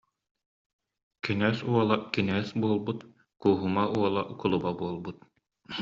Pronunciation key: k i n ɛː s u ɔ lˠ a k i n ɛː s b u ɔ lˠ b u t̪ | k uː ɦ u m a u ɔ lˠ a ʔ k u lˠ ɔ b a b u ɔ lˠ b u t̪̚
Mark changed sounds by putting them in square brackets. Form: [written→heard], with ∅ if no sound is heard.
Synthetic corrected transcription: k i n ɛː s u ɔ lˠ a k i n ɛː s b u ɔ lˠ b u t̪ | k uː ɦ u m a u ɔ lˠ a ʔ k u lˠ [ɔ→u] b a b u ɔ lˠ b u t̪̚